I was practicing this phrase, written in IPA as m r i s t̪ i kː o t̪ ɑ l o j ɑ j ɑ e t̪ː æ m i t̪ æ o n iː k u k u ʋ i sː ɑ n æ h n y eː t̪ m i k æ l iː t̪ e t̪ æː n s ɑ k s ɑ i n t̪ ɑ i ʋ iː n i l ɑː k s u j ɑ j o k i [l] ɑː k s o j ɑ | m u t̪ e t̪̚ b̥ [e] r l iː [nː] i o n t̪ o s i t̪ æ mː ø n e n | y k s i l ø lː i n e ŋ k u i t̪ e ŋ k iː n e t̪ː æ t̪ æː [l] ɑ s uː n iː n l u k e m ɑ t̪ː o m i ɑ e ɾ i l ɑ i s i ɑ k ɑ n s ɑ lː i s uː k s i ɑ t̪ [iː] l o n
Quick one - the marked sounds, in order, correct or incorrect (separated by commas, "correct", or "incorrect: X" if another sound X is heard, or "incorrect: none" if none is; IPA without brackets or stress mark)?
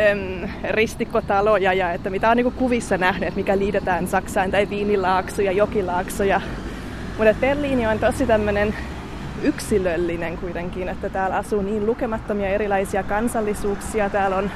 correct, correct, incorrect: n, correct, incorrect: æː